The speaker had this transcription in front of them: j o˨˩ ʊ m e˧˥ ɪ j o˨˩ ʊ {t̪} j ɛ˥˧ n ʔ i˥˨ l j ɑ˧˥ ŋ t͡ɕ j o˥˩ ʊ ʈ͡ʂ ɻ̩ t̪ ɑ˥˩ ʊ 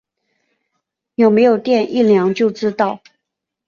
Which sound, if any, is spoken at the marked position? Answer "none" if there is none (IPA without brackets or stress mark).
t̪